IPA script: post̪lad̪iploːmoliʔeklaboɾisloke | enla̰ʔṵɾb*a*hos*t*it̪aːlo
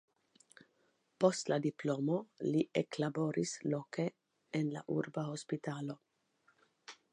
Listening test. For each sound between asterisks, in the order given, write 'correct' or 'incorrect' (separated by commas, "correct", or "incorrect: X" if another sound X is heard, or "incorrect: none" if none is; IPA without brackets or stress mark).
correct, incorrect: p